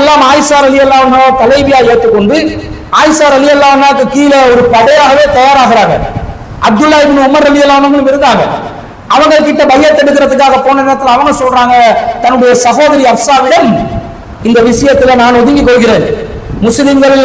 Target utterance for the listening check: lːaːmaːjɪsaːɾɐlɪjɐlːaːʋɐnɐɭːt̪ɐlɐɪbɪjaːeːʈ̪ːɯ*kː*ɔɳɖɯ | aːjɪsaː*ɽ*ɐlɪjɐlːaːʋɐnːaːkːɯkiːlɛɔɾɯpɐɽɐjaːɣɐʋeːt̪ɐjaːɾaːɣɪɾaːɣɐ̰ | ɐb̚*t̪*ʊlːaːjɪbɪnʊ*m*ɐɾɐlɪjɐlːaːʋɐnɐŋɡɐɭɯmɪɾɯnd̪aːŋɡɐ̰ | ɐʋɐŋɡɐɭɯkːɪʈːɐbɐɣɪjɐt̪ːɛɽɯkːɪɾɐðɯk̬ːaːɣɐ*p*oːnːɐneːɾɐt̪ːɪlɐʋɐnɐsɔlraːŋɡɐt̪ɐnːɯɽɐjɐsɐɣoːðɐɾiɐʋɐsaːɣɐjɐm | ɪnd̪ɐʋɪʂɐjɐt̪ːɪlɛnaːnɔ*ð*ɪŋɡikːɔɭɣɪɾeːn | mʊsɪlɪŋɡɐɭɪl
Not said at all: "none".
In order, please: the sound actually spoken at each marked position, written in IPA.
kː, ɾ, d̪, m, p, ð

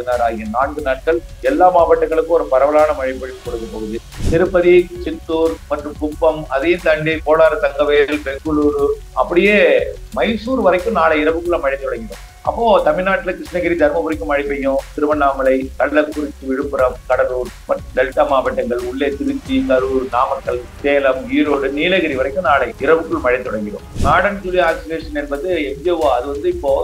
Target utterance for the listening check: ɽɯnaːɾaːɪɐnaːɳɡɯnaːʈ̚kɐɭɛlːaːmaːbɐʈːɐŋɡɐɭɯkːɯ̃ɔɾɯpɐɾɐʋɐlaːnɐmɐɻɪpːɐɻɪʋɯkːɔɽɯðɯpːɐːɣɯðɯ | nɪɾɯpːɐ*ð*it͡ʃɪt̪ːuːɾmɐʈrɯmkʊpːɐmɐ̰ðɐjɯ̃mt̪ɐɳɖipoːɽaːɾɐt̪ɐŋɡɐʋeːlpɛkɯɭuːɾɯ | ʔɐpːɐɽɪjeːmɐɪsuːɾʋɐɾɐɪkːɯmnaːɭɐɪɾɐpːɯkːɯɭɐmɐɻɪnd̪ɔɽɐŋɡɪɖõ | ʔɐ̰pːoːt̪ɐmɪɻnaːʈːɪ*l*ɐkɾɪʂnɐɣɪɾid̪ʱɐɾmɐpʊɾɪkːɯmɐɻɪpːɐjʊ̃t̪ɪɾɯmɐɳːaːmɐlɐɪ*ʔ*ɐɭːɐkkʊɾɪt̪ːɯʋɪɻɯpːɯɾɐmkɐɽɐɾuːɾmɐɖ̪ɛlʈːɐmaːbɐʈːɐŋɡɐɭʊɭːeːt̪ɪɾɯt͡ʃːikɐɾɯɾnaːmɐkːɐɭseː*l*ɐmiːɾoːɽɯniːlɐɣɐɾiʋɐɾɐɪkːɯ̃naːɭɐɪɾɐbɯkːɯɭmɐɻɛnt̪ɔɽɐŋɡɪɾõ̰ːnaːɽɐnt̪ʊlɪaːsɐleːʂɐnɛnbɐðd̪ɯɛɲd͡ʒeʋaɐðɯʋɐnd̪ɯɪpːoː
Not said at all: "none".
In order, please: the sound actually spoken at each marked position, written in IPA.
ð, l, k, l

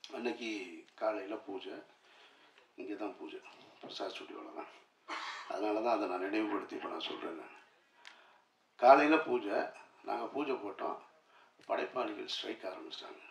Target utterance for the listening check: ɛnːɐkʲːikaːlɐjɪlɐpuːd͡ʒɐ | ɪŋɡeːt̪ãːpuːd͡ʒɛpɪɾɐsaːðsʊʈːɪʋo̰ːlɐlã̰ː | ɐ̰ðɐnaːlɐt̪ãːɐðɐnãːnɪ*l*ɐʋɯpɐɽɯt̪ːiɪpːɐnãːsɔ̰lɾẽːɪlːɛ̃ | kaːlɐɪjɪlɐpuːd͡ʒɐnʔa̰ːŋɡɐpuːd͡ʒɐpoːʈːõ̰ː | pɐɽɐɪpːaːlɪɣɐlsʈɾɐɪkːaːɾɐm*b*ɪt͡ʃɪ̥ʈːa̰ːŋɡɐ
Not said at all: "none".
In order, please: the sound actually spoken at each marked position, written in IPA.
ɽ, b

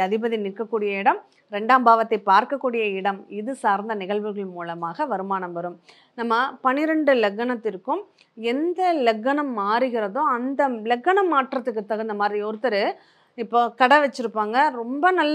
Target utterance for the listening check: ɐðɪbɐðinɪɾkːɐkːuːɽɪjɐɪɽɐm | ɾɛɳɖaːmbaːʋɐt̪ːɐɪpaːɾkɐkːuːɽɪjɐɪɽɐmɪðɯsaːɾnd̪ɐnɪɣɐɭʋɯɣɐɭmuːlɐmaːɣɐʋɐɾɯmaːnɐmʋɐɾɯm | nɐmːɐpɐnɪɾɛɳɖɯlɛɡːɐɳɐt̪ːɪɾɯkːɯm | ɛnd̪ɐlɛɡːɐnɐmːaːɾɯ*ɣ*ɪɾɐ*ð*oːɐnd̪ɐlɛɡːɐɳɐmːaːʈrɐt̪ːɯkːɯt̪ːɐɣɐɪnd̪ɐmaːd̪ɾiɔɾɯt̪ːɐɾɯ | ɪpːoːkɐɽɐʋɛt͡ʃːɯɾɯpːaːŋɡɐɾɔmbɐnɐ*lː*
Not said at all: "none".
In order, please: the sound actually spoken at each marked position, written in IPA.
ɣ, ð, lː

